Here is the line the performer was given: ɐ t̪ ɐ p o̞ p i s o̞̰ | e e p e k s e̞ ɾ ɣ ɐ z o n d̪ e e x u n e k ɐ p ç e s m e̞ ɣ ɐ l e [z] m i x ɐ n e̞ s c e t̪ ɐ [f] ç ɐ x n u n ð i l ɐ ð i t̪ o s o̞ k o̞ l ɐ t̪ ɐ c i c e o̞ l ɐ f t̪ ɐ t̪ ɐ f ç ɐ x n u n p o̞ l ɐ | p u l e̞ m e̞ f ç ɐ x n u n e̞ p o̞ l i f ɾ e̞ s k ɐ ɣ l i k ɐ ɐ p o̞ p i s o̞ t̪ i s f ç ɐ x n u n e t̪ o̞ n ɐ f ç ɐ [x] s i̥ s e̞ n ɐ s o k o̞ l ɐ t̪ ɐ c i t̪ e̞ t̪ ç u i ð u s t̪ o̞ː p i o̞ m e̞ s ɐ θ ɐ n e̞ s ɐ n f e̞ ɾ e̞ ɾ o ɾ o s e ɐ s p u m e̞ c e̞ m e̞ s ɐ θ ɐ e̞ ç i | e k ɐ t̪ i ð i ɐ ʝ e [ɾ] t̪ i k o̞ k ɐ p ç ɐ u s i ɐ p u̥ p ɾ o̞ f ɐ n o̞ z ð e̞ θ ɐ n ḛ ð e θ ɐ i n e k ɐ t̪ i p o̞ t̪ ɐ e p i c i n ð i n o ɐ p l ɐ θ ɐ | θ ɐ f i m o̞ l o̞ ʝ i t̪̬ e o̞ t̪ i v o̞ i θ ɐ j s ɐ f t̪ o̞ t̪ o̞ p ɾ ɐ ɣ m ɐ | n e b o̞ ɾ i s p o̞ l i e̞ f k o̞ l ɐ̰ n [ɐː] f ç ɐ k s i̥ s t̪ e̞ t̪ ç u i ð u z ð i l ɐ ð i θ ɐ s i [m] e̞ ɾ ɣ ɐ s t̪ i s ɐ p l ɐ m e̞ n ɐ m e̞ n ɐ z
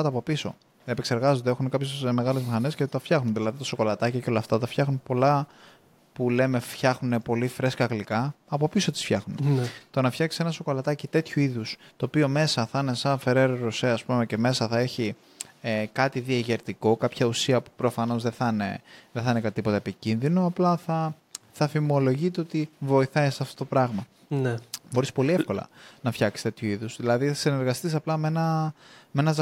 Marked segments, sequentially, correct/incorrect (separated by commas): correct, correct, incorrect, correct, incorrect, incorrect